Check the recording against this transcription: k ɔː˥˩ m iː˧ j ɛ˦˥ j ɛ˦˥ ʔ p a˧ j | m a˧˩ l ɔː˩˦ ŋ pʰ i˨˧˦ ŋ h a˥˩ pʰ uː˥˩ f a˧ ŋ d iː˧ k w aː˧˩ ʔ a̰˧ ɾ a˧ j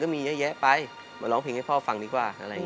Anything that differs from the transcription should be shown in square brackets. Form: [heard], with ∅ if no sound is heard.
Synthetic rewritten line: k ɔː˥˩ m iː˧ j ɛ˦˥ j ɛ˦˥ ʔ p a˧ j | m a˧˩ l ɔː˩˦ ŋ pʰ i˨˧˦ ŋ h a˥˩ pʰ [ɔː˥˩] f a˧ ŋ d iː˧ k w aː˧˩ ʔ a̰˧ ɾ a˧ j